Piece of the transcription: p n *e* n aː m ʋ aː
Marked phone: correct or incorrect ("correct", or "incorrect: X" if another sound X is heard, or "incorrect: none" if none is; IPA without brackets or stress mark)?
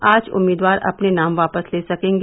correct